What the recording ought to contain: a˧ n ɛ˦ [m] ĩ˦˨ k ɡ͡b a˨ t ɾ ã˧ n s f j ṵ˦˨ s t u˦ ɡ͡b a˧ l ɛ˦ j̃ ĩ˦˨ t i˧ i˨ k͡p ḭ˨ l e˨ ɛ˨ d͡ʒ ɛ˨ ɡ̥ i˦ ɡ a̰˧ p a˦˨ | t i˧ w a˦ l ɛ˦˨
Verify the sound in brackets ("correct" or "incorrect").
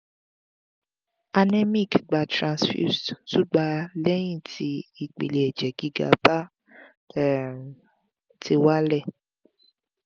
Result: correct